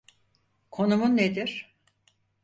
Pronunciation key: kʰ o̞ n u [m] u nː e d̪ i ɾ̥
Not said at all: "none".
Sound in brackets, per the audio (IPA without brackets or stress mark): m